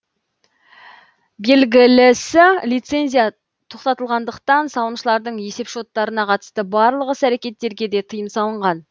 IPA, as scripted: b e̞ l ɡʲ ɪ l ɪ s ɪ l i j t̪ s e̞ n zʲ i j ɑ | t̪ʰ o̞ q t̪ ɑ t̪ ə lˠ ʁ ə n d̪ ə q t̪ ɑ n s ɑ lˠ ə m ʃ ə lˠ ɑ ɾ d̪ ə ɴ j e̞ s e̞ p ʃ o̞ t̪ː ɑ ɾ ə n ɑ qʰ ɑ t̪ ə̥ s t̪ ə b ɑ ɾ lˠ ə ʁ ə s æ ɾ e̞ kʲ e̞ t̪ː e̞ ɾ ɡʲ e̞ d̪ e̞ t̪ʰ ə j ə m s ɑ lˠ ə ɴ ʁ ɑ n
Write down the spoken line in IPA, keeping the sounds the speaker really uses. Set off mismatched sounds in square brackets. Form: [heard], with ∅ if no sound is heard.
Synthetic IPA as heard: b e̞ l ɡʲ ɪ l ɪ s ɪ l i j t̪ s e̞ n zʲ i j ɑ | t̪ʰ o̞ q t̪ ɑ t̪ ə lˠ ʁ [ɑ] n d̪ ə q t̪ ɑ n s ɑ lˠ ə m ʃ ə lˠ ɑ ɾ d̪ ə ɴ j e̞ s e̞ p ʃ o̞ t̪ː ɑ ɾ ə n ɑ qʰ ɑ t̪ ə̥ s t̪ ə b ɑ ɾ lˠ ə ʁ ə s æ ɾ e̞ kʲ e̞ t̪ː e̞ ɾ ɡʲ e̞ d̪ e̞ t̪ʰ ə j ə m s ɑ lˠ ə ɴ ʁ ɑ n